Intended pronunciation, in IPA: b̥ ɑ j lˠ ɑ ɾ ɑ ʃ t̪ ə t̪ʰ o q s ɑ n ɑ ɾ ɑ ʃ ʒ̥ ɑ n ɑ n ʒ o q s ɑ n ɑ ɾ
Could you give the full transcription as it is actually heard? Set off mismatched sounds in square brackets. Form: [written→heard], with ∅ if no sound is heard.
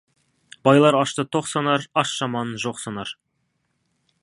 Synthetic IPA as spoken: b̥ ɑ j lˠ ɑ ɾ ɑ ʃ t̪ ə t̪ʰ o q s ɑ n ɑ ɾ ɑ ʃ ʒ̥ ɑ [n→m] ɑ n ʒ o q s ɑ n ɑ ɾ